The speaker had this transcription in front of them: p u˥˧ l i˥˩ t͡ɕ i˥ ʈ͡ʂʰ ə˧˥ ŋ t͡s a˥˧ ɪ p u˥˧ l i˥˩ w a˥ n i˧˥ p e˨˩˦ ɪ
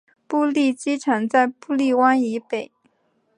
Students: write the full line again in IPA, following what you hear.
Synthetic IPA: p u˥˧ l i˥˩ t͡ɕ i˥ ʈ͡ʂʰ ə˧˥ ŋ t͡s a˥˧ ɪ p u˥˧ l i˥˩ w a˥ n i˧˥ p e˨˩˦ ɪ